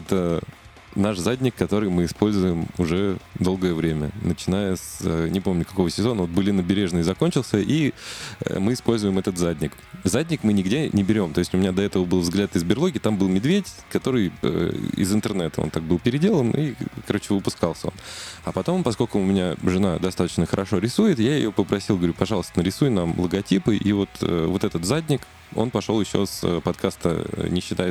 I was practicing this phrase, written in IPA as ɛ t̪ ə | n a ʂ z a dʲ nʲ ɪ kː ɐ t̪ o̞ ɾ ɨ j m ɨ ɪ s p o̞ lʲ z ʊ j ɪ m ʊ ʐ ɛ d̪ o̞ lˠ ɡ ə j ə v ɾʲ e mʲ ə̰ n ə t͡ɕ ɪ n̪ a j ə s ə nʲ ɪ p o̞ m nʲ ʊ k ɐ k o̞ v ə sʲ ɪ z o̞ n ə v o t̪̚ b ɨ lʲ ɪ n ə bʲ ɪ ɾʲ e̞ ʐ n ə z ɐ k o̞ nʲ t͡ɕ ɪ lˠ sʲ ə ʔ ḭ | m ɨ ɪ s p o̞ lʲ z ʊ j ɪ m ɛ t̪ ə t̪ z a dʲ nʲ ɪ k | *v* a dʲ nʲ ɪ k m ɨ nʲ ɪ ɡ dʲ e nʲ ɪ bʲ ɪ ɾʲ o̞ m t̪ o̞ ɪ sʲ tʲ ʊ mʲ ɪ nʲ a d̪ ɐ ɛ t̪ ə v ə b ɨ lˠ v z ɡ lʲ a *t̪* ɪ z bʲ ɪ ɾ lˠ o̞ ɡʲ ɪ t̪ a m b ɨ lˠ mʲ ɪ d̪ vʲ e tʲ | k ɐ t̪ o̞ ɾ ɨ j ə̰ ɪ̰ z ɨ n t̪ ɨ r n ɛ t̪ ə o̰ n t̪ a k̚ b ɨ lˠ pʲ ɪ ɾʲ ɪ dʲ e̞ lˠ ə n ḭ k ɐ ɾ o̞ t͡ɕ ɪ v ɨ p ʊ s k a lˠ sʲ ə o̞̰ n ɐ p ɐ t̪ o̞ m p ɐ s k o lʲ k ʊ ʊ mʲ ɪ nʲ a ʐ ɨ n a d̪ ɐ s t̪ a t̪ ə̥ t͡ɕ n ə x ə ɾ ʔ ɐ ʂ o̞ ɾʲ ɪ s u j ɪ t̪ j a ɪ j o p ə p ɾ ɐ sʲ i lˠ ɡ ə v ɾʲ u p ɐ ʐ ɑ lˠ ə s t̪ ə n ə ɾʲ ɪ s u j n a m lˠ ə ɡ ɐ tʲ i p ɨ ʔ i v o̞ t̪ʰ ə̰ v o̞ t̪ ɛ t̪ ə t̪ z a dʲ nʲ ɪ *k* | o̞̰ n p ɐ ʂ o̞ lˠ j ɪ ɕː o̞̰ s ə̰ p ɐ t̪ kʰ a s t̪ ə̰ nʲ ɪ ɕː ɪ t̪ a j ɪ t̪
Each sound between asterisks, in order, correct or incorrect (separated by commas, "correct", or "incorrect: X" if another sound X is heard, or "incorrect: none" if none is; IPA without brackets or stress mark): incorrect: z, correct, correct